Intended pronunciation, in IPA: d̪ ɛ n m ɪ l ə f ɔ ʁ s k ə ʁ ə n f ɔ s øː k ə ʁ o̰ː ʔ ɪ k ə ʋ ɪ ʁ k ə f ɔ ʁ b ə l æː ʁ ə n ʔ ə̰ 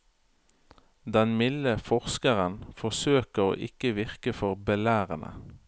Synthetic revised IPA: d̪ ɛ n m ɪ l ə f ɔ ʁ s k ə ʁ ə n f ɔ s øː k ə ʁ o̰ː ʔ ɪ k ə ʋ ɪ ʁ k ə f ɔ ʁ b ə l æː ʁ ə n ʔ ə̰